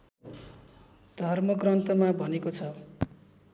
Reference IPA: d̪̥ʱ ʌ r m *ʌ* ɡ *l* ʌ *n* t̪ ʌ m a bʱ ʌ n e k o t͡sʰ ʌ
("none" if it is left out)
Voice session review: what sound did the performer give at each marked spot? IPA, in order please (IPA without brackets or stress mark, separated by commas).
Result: ʌ, r, n